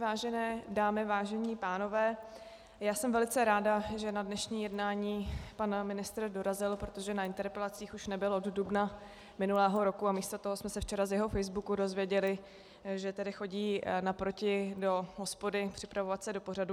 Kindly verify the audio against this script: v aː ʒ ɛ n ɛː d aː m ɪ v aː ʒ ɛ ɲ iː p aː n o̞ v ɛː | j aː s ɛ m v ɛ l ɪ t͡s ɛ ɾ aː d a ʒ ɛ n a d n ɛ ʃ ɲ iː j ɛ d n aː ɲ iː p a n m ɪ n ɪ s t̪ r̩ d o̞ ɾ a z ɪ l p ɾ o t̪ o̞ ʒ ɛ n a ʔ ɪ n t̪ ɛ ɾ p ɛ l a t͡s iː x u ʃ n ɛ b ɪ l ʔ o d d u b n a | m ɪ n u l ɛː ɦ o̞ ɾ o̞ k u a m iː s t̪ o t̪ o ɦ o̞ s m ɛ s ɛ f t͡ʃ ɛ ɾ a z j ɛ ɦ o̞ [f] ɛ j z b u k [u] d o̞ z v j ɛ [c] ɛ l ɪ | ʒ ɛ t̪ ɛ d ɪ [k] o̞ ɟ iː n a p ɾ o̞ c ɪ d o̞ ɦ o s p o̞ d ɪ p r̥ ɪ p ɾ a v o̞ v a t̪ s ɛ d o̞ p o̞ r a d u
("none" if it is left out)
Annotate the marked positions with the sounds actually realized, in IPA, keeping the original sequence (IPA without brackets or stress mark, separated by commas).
f, u, ɟ, x